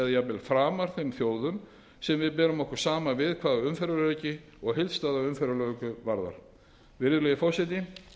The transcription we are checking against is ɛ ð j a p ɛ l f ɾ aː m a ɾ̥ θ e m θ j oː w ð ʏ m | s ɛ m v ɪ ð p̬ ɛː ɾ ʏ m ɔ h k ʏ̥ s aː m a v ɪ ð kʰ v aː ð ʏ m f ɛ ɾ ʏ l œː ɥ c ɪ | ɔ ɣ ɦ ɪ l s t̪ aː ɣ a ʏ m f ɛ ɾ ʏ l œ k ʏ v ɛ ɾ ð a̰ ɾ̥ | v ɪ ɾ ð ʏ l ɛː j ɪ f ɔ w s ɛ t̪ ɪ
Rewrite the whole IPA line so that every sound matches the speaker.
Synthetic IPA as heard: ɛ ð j a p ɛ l f ɾ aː m a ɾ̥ θ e m θ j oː w ð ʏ m | s ɛ m v ɪ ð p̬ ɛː ɾ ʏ m ɔ h k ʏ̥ s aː m a v ɪ ð kʰ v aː ð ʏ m f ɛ ɾ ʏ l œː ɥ c ɪ | ɔ ɣ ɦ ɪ l s t̪ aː ð a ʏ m f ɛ ɾ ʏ l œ k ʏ v a ɾ ð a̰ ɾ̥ | v ɪ ɾ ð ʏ l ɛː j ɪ f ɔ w s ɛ t̪ ɪ